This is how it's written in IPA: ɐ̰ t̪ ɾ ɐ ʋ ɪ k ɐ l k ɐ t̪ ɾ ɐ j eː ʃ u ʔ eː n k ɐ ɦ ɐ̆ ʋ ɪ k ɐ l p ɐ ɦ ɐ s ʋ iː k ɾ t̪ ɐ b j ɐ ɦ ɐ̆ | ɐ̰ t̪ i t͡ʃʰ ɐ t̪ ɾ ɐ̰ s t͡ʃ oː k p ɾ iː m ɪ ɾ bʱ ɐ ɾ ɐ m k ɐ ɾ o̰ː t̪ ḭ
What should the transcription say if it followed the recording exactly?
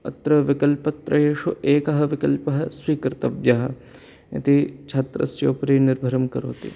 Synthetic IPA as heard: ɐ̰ t̪ ɾ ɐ ʋ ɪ k ɐ l p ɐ t̪ ɾ ɐ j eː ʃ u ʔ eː k ɐ ɦ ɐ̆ ʋ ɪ k ɐ l p ɐ ɦ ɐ s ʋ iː k ɾ t̪ ɐ b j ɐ ɦ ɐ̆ | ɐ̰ t̪ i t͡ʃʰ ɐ t̪ ɾ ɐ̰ s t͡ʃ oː p ɾ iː n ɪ ɾ bʱ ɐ ɾ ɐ m k ɐ ɾ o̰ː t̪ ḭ